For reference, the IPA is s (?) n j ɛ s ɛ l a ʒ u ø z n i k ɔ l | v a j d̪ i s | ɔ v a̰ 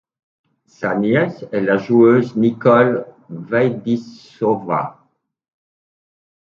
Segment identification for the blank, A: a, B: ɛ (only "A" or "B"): A